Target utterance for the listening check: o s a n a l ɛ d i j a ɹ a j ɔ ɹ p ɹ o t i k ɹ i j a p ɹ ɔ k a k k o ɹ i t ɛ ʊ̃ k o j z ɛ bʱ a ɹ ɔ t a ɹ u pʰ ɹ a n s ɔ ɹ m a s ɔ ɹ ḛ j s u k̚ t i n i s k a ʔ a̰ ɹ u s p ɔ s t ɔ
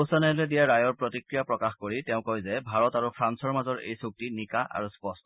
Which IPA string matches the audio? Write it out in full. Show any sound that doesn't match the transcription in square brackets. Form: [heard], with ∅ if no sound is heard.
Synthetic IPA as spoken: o s a n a l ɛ d i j a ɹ a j ɔ ɹ p ɹ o t i k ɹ i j a p ɹ ɔ k a [x] k o ɹ i t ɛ ʊ̃ k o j z ɛ bʱ a ɹ ɔ t a ɹ u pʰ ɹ a n s ɔ ɹ m a [z] ɔ ɹ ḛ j s u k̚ t i n i [∅] k a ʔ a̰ ɹ u s p ɔ s t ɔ